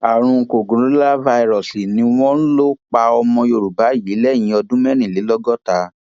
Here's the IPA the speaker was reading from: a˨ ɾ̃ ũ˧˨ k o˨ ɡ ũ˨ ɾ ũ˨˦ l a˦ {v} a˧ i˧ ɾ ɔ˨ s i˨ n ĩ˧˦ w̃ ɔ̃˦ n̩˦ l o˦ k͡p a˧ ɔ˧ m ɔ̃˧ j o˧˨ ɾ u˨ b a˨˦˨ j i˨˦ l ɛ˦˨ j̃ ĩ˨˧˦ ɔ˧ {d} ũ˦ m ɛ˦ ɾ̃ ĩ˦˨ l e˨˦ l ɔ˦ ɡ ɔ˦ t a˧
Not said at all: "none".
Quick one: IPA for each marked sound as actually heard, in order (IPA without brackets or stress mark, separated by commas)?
v, d